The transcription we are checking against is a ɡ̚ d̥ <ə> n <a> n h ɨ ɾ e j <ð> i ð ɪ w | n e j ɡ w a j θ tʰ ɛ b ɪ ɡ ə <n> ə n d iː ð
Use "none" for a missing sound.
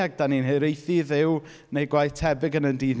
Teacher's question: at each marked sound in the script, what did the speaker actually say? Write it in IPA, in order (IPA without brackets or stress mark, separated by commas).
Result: a, i, θ, n